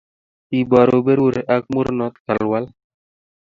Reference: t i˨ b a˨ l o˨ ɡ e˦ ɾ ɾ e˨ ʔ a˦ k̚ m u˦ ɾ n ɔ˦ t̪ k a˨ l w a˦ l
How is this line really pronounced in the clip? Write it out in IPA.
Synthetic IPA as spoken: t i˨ b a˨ ɾ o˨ b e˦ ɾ ɾ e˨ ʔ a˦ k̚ m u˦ ɾ n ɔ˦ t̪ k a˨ l w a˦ l